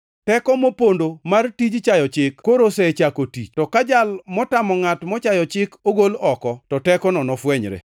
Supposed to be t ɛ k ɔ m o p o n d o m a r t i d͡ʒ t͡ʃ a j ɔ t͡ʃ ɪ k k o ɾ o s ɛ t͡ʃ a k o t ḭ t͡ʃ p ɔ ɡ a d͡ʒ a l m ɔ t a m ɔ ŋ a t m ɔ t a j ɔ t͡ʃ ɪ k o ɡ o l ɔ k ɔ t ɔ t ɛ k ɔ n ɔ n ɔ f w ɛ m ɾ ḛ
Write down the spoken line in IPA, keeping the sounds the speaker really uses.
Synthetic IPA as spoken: t ɛ k ɔ m o p o n d o m a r t i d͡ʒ t͡ʃ a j ɔ t͡ʃ ɪ k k o ɾ o s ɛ t͡ʃ a k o t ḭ t͡ʃ t ɔ k a d͡ʒ a l m ɔ t a m ɔ ŋ a t m ɔ t͡ʃ a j ɔ t͡ʃ ɪ k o ɡ o l ɔ k ɔ t ɔ t ɛ k ɔ n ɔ n ɔ f w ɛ ɲ ɾ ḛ